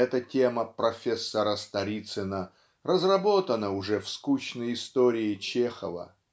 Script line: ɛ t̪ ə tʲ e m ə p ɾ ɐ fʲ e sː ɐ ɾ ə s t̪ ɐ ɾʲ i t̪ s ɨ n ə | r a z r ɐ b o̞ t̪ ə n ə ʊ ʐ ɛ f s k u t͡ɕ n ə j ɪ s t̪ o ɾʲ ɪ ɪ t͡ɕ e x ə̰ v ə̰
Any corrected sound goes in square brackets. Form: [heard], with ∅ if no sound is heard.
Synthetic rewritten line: ɛ t̪ ə tʲ e m ə p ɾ ɐ fʲ e sː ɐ ɾ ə s t̪ ɐ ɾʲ i t̪ s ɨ n ə | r [ə] z r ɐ b o̞ t̪ ə n ə ʊ ʐ ɛ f s k u t͡ɕ n ə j ɪ s t̪ o ɾʲ ɪ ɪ t͡ɕ e x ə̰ v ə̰